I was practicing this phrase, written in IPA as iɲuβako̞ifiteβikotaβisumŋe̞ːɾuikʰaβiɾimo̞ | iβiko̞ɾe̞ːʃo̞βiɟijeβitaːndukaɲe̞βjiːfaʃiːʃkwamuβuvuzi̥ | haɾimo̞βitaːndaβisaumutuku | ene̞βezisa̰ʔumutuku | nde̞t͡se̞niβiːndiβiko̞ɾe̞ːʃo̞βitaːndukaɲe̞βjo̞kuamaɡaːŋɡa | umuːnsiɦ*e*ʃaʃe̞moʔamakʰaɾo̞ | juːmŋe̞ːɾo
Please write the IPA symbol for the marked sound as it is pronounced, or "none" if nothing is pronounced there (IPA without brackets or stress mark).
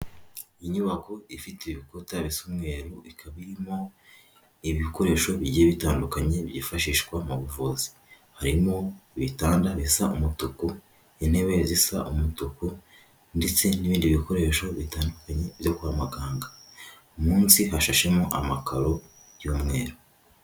a